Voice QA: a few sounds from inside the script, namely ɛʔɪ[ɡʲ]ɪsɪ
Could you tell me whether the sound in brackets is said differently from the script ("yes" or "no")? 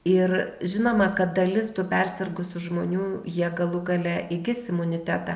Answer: no